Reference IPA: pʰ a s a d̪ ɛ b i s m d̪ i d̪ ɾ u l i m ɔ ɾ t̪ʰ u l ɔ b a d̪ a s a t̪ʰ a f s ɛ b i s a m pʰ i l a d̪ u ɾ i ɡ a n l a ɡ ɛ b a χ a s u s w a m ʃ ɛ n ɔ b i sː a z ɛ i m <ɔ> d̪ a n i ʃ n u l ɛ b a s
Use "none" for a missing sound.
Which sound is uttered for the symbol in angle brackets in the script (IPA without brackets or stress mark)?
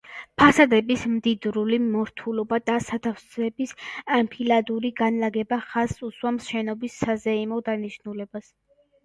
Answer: ɔ